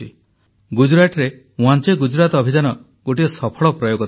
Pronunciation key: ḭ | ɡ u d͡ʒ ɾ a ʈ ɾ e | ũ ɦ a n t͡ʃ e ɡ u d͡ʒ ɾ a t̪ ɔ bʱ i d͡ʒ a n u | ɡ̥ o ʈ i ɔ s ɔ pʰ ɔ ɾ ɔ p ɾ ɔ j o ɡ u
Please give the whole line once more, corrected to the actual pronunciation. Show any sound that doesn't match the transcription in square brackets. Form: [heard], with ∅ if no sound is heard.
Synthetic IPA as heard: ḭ | ɡ u d͡ʒ ɾ a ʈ ɾ e | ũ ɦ a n t͡ʃ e ɡ u d͡ʒ ɾ a t̪ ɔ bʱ i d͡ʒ a n [ɔ] | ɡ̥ o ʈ i ɔ s ɔ pʰ ɔ [ɭ] ɔ p ɾ ɔ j o ɡ [ɔ]

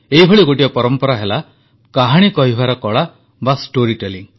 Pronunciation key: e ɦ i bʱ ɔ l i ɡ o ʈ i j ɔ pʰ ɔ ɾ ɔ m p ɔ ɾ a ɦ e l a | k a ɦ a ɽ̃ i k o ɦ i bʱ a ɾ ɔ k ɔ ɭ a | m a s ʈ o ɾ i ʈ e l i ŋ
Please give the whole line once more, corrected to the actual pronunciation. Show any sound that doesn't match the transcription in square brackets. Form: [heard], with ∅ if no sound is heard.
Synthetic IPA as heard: e ɦ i bʱ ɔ [ɭ] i ɡ o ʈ i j ɔ [p] ɔ ɾ ɔ m p ɔ ɾ a ɦ e l a | k a ɦ a ɽ̃ i k [ɔ] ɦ i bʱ a ɾ ɔ k ɔ ɭ a | [b] a s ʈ o ɾ i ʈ e l i ŋ

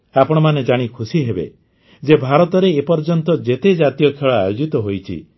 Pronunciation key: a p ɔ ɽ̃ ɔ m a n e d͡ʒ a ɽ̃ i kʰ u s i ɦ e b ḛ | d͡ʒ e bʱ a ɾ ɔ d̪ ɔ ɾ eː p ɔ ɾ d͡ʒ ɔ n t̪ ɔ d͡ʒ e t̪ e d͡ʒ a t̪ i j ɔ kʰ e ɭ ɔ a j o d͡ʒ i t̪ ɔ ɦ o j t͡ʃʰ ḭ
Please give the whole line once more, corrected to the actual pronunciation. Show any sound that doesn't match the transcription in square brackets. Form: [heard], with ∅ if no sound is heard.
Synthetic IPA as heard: a p ɔ ɽ̃ ɔ m a n e d͡ʒ a ɽ̃ i kʰ u s i ɦ e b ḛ | d͡ʒ e bʱ a ɾ ɔ [t̪] ɔ ɾ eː p ɔ ɾ d͡ʒ ɔ n t̪ ɔ d͡ʒ e t̪ e d͡ʒ a t̪ i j ɔ kʰ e ɭ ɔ a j o d͡ʒ i t̪ ɔ ɦ o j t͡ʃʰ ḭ

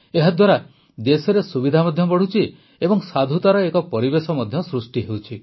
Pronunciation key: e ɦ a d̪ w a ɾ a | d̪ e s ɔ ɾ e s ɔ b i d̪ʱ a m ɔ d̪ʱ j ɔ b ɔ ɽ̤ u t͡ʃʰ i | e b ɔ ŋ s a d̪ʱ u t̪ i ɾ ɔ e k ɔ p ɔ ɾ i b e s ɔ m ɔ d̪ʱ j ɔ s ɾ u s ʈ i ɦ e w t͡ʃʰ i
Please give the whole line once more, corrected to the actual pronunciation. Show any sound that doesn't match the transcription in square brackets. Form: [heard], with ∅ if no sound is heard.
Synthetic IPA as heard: e ɦ a d̪ w a ɾ a | d̪ e s ɔ ɾ e s [u] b i d̪ʱ a m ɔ d̪ʱ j ɔ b ɔ ɽ̤ u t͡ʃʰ i | e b ɔ ŋ s a d̪ʱ u t̪ [a] ɾ ɔ e k ɔ p ɔ ɾ i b e s ɔ m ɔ d̪ʱ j ɔ s ɾ u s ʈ i ɦ e w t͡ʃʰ i

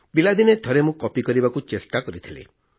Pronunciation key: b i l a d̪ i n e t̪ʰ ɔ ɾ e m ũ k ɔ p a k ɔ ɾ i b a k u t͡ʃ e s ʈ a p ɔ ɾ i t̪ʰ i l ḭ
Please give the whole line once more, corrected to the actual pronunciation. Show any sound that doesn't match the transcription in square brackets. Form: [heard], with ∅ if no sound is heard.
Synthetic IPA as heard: b i l a d̪ i n e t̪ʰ ɔ ɾ e m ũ k ɔ p [i] k ɔ ɾ i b a k u t͡ʃ e s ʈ a [k] ɔ ɾ i t̪ʰ i l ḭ

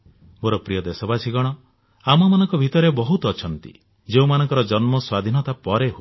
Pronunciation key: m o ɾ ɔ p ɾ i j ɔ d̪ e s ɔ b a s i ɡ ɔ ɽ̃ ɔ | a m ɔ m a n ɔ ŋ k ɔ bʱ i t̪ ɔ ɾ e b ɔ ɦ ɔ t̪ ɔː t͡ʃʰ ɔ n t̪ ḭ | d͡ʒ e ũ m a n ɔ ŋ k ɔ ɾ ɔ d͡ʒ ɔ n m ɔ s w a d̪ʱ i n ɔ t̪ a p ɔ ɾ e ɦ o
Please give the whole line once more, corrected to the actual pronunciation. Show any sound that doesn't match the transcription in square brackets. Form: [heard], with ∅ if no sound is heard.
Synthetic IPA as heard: m o ɾ ɔ p ɾ i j ɔ d̪ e s ɔ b a s i ɡ ɔ ɽ̃ ɔ | a m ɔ m a n ɔ ŋ k ɔ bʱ i t̪ ɔ ɾ e b ɔ ɦ [u] t̪ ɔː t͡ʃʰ ɔ n t̪ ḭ | d͡ʒ e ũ m a n ɔ ŋ k ɔ ɾ ɔ d͡ʒ ɔ n m ɔ s w a d̪ʱ i n ɔ t̪ a p ɔ ɾ e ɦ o

